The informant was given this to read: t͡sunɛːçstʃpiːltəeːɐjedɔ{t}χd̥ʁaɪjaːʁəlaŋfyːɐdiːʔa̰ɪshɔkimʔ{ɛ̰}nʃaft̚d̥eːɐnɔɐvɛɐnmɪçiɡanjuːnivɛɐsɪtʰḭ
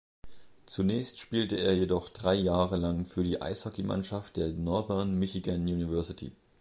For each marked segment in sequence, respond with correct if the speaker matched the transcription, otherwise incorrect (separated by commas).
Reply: incorrect, incorrect